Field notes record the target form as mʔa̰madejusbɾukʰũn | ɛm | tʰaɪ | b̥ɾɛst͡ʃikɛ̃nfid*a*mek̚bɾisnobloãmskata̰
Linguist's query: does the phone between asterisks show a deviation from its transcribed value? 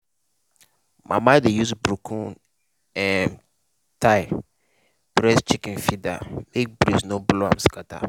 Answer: no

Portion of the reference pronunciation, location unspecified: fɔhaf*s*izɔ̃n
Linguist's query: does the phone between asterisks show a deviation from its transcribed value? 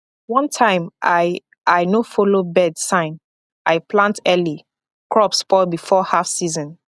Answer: no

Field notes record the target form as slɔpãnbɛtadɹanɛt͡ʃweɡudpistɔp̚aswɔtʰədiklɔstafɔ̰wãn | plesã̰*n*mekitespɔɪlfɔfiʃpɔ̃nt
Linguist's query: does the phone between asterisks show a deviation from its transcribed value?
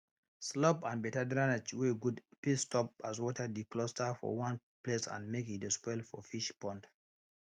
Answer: no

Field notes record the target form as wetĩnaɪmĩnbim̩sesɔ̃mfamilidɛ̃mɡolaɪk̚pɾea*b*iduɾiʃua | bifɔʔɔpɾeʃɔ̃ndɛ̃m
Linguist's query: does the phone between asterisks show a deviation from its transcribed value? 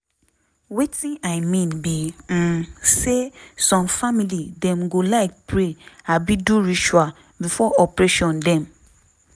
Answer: no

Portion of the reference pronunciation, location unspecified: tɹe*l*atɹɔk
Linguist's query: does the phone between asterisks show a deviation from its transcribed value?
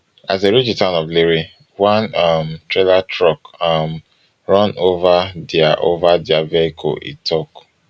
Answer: no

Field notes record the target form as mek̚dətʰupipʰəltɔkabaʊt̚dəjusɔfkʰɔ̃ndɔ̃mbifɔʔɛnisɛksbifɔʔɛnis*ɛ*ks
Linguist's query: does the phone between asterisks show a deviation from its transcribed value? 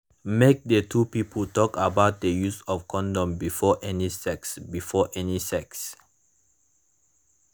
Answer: no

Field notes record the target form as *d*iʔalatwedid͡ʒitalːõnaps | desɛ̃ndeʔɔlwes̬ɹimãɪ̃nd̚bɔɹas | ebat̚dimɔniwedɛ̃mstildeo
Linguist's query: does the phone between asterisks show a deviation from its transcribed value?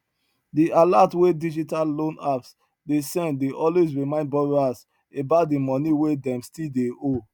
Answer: no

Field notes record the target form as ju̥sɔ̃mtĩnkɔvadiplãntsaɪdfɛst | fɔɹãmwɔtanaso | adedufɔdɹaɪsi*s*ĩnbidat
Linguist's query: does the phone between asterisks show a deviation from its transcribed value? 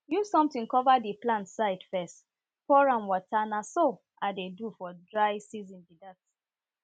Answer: yes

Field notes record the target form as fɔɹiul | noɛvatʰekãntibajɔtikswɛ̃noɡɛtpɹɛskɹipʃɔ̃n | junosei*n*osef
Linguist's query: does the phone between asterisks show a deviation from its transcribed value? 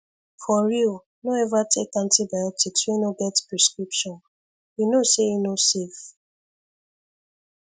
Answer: no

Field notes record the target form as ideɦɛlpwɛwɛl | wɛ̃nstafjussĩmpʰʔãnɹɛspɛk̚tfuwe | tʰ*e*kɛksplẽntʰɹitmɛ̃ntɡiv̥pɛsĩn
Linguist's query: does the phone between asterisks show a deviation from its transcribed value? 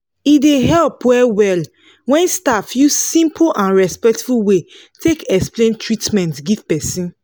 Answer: no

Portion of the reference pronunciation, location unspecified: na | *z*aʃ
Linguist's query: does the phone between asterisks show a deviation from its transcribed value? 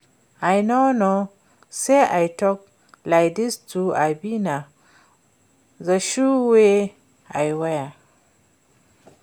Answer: no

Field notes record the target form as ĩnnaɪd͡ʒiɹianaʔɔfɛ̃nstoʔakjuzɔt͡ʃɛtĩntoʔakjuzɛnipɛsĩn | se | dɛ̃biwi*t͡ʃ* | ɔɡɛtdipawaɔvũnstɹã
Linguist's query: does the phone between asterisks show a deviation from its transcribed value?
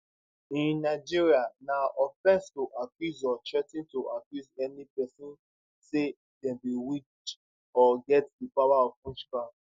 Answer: no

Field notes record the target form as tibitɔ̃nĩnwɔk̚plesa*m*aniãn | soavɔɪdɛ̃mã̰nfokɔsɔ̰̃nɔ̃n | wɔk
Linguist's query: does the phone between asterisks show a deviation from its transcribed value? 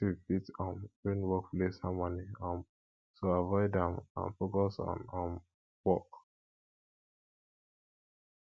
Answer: no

